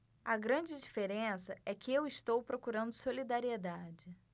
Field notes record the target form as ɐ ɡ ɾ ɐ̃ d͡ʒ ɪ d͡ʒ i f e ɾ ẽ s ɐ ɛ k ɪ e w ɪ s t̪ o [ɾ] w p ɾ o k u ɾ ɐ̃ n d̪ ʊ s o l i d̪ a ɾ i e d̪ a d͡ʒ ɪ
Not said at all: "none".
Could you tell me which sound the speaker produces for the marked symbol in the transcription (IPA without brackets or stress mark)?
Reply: none